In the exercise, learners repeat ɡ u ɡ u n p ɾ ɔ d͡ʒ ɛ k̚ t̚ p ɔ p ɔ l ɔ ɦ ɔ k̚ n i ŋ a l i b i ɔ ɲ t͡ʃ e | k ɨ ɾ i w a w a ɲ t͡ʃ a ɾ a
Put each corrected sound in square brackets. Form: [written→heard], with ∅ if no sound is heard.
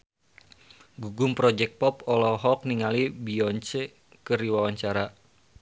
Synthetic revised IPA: ɡ u ɡ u [n→m] p ɾ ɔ d͡ʒ ɛ k̚ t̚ p ɔ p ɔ l ɔ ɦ ɔ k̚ n i ŋ a l i b i ɔ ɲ t͡ʃ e | k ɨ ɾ i w a w a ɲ t͡ʃ a ɾ a